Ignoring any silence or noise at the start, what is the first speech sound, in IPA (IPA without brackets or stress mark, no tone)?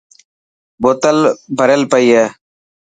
b